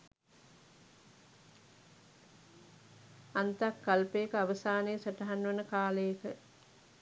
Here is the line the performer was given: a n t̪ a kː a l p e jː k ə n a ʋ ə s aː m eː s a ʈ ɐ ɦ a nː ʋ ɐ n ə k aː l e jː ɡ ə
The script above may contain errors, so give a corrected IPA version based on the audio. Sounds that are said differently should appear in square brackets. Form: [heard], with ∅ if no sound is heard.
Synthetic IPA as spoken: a n t̪ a kː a l p e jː k ə [∅] a ʋ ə s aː [n] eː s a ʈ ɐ ɦ a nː ʋ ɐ n ə k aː l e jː [k] ə

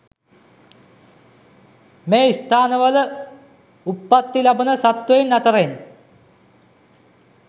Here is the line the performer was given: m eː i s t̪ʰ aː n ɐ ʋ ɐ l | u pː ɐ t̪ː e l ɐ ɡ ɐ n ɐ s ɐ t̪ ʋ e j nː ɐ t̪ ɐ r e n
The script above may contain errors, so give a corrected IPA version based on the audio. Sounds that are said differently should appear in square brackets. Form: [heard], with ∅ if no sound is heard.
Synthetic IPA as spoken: m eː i s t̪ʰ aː n ɐ ʋ ɐ l | u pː ɐ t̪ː [i] l ɐ [b] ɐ n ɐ s ɐ t̪ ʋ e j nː ɐ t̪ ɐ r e n

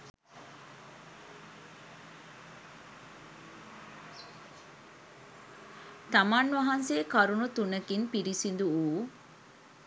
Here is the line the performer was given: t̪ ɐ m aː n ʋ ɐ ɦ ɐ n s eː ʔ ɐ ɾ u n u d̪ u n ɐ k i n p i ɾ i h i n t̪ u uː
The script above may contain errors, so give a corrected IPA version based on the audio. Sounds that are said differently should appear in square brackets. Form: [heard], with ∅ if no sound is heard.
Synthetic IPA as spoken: t̪ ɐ m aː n ʋ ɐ ɦ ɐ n s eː [k] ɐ ɾ u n u [t̪] u n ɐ k i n p i ɾ i [s] i n [d̪] u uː

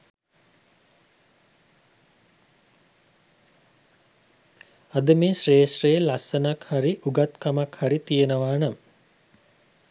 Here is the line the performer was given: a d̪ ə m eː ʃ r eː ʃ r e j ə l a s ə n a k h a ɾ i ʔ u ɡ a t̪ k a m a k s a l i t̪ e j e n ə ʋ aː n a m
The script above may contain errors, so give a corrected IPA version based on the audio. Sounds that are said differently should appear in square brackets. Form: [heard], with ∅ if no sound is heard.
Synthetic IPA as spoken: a d̪ ə m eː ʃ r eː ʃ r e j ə l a s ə n a k h a ɾ i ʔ u ɡ a t̪ k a m a k [h] a [ɾ] i t̪ [i] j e n ə ʋ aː n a m

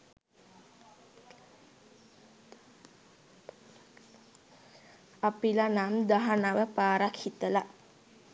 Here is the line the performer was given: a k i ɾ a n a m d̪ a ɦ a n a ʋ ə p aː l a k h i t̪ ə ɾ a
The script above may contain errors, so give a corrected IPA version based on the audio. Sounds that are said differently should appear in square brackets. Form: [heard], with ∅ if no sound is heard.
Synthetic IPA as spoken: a [p] i [l] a n a m d̪ a ɦ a n a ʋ ə p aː [ɾ] a k h i t̪ ə [l] a

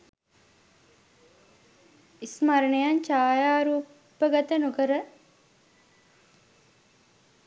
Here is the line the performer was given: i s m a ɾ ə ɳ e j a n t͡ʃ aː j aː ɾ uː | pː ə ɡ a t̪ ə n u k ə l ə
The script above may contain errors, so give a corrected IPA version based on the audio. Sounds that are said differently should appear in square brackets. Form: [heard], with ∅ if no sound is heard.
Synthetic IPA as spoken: i s m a ɾ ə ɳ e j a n t͡ʃ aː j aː ɾ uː | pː ə ɡ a t̪ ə n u k ə [ɾ] ə

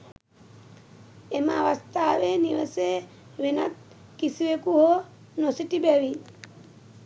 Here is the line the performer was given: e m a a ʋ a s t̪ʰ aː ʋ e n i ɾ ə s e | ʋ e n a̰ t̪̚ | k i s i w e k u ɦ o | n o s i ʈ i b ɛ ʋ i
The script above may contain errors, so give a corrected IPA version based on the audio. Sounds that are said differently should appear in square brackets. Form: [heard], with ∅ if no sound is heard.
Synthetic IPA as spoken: e m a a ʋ a s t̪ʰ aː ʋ e n i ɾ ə s e | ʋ e n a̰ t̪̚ | k i s i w e k u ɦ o | n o s i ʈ i b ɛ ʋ i

